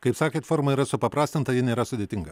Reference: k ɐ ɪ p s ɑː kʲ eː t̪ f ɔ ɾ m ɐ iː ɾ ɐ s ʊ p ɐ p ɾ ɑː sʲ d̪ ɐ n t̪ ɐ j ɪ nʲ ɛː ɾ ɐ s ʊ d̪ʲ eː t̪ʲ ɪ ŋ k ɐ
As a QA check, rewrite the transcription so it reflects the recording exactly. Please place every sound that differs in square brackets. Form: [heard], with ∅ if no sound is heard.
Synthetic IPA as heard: k ɐ ɪ p s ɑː kʲ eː t̪ f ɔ ɾ m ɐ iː ɾ ɐ s ʊ p ɐ p ɾ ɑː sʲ [t̪] ɐ n t̪ ɐ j ɪ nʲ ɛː ɾ ɐ s ʊ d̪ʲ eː t̪ʲ ɪ ŋ [ɡ] ɐ